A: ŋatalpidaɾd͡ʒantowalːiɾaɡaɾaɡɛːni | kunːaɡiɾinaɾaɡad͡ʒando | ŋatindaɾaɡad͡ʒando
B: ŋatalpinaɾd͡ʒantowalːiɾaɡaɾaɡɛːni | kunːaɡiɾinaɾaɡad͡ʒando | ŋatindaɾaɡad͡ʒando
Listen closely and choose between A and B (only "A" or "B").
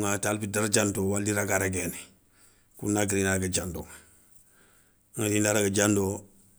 A